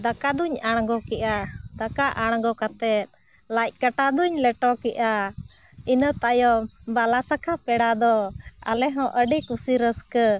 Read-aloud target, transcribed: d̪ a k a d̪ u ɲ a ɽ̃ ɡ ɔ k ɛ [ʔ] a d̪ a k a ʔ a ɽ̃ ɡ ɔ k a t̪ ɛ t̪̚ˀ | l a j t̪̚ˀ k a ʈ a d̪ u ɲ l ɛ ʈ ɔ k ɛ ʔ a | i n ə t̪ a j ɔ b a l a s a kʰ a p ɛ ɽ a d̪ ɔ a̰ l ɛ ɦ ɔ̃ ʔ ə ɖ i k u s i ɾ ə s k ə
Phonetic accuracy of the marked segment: correct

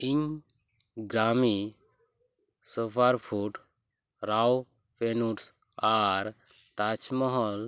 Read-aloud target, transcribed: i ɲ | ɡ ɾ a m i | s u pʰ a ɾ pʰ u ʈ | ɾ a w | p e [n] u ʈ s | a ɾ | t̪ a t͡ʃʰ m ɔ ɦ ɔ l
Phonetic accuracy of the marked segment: correct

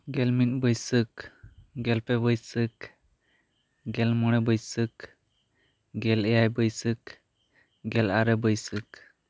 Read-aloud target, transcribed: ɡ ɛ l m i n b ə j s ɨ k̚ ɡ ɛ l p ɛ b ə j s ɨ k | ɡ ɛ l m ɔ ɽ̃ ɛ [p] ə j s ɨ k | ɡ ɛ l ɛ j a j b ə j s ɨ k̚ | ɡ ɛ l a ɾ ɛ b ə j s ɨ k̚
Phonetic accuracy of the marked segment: incorrect: b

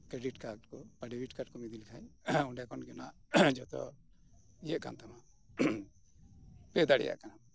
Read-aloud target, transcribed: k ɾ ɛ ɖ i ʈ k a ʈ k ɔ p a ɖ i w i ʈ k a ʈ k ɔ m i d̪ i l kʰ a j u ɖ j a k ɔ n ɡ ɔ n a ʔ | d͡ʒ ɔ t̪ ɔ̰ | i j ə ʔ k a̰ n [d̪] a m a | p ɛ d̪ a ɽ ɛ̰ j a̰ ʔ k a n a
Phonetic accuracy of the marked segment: incorrect: t̪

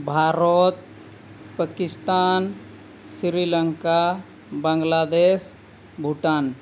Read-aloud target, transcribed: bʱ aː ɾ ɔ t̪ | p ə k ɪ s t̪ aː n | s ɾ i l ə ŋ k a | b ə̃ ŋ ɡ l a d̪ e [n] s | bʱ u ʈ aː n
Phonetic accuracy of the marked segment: incorrect: none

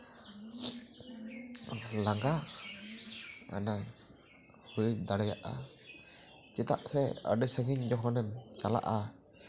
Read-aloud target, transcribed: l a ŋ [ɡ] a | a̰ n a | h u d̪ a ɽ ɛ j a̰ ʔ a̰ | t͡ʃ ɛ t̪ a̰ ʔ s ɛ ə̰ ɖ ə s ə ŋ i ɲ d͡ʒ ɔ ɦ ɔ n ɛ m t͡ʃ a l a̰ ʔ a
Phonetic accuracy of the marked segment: correct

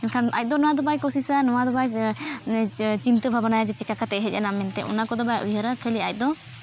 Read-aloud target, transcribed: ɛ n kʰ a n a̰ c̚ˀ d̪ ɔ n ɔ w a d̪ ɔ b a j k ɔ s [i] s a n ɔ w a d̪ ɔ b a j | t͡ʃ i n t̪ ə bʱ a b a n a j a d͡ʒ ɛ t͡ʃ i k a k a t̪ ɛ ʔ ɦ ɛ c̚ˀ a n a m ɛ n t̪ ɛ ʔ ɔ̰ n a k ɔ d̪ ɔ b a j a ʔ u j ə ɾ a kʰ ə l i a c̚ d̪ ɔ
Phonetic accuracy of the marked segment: correct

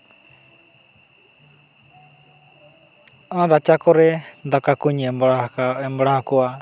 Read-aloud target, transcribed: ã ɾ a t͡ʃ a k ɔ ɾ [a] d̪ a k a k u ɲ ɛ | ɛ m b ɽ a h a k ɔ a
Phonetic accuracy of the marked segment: incorrect: ɛ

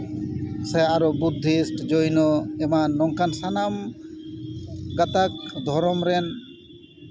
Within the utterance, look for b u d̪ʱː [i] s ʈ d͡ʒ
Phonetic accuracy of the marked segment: correct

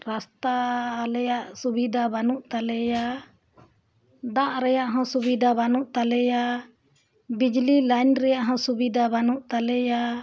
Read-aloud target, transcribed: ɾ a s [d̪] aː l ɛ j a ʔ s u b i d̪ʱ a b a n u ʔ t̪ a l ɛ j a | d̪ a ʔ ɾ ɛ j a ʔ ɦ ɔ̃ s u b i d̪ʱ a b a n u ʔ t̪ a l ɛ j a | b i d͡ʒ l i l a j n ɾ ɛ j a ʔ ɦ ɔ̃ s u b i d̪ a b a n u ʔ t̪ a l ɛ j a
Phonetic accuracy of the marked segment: incorrect: t̪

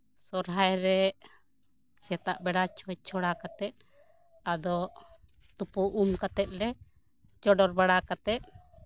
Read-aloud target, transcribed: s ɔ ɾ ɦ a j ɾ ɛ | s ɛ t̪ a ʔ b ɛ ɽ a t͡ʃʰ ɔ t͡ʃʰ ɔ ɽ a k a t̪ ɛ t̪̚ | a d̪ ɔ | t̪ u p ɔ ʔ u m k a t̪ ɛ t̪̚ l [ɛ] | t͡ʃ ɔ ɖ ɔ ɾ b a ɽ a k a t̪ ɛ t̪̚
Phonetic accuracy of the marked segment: correct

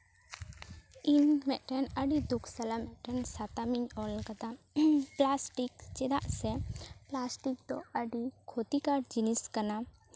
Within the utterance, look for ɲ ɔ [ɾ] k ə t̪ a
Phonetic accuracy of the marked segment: incorrect: l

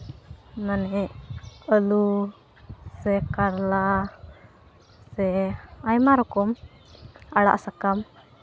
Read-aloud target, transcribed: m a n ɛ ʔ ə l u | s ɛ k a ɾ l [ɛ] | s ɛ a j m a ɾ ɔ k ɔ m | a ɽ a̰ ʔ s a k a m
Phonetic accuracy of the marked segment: incorrect: a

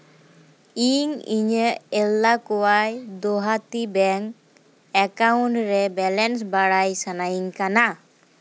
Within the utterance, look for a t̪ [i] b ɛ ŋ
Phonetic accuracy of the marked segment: correct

